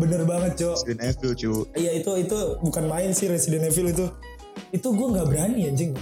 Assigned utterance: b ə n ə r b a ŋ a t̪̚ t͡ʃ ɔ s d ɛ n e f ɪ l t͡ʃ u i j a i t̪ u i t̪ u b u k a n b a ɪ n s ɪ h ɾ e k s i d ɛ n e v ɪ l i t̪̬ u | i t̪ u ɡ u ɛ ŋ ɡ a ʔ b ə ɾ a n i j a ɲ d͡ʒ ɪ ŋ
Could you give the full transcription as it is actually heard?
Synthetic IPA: b ə n ə r b a ŋ ə t̪̚ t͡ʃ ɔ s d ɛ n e f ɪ l t͡ʃ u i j a i t̪ u i t̪ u b u k a n m a ɪ n s ɪ h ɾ e s i d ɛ n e f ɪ l i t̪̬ u | i t̪ u ɡ u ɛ ŋ ɡ a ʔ b ə ɾ a n i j a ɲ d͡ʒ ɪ ŋ